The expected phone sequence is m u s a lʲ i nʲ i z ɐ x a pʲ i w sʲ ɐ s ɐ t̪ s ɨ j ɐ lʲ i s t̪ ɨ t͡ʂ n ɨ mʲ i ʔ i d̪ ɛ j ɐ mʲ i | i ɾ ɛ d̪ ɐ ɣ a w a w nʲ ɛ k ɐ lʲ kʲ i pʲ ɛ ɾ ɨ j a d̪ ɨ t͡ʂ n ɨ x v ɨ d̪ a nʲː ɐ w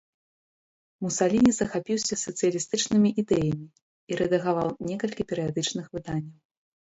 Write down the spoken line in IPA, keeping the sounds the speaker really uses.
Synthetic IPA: m u s a lʲ i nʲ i z ɐ x a pʲ i w sʲ ɐ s ɐ t̪ s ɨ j ɐ lʲ i s t̪ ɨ t͡ʂ n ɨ mʲ i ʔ i d̪ ɛ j ɐ mʲ i | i ɾ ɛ d̪ ɐ ɣ a v a w nʲ ɛ k ɐ lʲ kʲ i pʲ ɛ ɾ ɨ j a d̪ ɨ t͡ʂ n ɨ x v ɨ d̪ a nʲː ɐ w

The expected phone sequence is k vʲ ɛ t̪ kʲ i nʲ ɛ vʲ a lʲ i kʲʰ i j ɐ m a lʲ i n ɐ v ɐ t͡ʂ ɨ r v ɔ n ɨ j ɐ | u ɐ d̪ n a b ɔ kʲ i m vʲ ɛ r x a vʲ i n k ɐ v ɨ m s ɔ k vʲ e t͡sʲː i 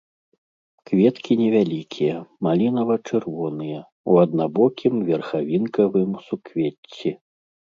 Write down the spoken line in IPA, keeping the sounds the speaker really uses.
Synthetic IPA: k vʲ ɛ t̪ kʲ i nʲ ɛ vʲ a lʲ i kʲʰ i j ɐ m a lʲ i n ɐ v ɐ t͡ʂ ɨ r v ɔ n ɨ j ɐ | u ɐ d̪ n a b ɔ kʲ i m vʲ ɛ r x a vʲ i n k ɐ v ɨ m s u k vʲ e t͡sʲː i

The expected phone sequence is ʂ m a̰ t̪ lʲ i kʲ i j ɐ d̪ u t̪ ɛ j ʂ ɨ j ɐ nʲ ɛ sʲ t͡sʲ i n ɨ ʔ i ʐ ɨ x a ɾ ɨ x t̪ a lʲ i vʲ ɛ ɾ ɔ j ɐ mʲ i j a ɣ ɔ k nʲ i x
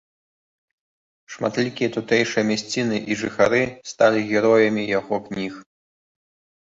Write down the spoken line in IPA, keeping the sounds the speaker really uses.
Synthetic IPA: ʂ m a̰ t̪ lʲ i kʲ i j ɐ t̪ u t̪ ɛ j ʂ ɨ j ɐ mʲ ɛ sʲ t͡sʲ i n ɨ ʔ i ʐ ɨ x a ɾ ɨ s t̪ a lʲ i ɣʲ ɛ ɾ ɔ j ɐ mʲ i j a ɣ ɔ k nʲ i x

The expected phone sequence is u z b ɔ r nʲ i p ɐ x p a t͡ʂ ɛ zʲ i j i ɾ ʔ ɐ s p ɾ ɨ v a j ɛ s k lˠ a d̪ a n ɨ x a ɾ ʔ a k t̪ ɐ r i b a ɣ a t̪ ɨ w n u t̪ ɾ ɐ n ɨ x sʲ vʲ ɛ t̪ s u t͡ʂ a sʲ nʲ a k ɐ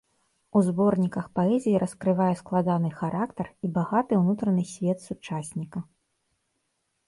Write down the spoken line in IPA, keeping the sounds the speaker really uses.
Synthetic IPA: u z b ɔ r nʲ i k ɐ x p a ɛ zʲ i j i ɾ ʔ ɐ s k ɾ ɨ v a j ɛ s k lˠ a d̪ a n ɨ x a ɾ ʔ a k t̪ ɐ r i b a ɣ a t̪ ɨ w n u t̪ ɾ ɐ n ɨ sʲ vʲ ɛ t̪ s u t͡ʂ a sʲ nʲ i k ɐ

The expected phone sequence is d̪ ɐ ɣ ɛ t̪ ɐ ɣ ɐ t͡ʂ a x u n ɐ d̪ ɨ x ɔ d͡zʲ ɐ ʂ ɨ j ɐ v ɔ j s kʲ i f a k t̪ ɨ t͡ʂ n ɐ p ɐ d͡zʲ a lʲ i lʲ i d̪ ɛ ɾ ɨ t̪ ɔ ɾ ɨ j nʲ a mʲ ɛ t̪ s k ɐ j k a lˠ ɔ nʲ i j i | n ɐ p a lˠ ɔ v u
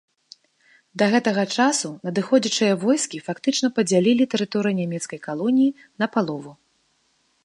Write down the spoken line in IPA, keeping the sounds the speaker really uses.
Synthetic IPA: d̪ ɐ ɣ ɛ t̪ ɐ ɣ ɐ t͡ʂ a s u n ɐ d̪ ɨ x ɔ d͡zʲ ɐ t͡ʂ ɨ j ɐ v ɔ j s kʲ i f a k t̪ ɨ t͡ʂ n ɐ p ɐ d͡zʲ a lʲ i lʲ i t̪ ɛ ɾ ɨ t̪ ɔ ɾ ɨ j nʲ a mʲ ɛ t̪ s k ɐ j k a lˠ ɔ nʲ i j i | n ɐ p a lˠ ɔ v u

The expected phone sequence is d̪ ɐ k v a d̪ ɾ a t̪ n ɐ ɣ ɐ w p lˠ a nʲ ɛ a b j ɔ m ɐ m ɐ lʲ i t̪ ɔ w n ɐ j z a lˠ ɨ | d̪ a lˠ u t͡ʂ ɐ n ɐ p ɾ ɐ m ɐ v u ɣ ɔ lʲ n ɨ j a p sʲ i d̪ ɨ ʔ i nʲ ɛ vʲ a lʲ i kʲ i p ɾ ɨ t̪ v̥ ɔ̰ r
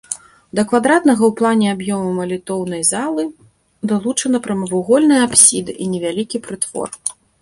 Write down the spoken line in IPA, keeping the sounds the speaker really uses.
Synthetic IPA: d̪ ɐ k v a d̪ ɾ a t̪ n ɐ ɣ ɐ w p lˠ a nʲ ɛ a b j ɔ m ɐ m ɐ lʲ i t̪ ɔ w n ɐ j z a lˠ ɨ | d̪ a lˠ u t͡ʂ ɐ n ɐ p ɾ ɐ m ɐ v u ɣ ɔ lʲ n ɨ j a p sʲ i d̪ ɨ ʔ i nʲ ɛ vʲ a lʲ i kʲ i p ɾ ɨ t̪ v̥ ɔ̰ r

